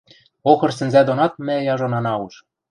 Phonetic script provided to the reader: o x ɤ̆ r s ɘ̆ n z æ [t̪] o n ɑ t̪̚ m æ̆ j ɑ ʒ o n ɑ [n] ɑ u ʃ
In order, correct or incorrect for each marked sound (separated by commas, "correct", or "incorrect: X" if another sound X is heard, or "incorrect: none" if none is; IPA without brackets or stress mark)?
incorrect: d̪, correct